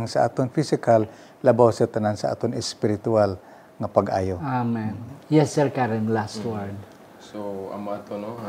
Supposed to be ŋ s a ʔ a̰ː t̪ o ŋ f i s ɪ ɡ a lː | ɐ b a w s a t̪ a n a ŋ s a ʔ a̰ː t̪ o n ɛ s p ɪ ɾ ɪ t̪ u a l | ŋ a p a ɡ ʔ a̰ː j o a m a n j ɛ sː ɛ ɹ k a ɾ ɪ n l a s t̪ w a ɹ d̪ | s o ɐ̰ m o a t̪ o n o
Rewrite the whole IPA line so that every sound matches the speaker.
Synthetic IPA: ŋ s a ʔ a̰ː t̪ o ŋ f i s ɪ k a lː | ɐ b a w s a t̪ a n a n s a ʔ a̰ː t̪ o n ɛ s p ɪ ɾ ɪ t̪ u a l | ŋ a p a ɡ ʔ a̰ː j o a m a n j ɛ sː ɛ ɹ k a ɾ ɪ n l a s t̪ w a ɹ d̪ | s o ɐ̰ m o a t̪ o n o